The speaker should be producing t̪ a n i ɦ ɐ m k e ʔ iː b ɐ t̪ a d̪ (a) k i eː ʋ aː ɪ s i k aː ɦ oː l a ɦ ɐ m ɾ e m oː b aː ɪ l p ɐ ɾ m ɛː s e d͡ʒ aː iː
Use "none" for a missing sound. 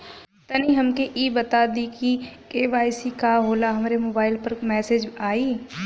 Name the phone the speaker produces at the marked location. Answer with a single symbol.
i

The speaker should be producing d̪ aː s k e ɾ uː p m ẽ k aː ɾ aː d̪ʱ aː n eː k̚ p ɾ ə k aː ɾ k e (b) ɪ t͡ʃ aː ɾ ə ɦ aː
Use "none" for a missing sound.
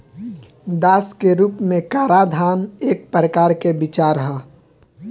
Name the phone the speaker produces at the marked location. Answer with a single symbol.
b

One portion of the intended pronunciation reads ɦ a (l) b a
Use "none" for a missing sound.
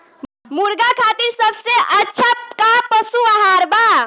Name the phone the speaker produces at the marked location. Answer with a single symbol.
ɾ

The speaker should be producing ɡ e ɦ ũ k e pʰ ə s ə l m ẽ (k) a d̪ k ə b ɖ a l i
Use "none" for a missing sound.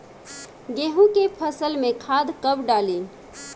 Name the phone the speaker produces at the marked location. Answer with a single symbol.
kʰ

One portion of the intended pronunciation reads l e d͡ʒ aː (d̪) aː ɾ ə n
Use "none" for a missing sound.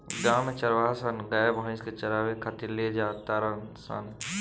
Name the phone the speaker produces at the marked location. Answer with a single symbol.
t̪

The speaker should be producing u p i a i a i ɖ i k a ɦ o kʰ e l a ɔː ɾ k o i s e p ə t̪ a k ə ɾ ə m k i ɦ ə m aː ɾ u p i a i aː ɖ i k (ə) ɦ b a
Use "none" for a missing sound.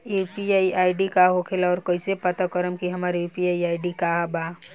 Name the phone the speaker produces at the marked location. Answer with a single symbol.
a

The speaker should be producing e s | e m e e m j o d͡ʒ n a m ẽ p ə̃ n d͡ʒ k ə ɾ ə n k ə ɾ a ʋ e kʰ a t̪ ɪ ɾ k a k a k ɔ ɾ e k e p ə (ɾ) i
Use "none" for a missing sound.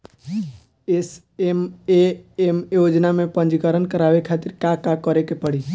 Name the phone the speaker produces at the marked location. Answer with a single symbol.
ɽ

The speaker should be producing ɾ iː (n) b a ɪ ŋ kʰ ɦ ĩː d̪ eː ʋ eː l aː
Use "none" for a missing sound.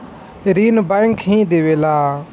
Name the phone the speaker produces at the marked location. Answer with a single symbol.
n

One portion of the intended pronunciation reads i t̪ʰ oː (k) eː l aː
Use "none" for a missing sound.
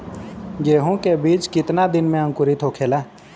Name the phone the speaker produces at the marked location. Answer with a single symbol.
kʰ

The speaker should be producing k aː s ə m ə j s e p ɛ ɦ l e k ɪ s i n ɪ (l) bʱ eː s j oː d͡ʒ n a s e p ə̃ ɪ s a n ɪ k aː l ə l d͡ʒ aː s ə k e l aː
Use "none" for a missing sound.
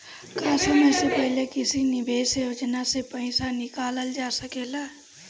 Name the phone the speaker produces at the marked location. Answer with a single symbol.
none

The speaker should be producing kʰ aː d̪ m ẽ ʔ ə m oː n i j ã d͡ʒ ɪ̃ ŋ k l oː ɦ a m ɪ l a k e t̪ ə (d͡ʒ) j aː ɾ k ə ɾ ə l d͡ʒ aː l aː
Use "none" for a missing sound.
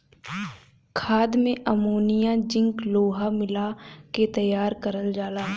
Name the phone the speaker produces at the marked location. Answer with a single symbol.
none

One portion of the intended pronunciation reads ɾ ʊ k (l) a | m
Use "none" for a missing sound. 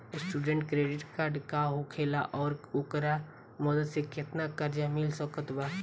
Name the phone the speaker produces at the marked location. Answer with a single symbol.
ɾ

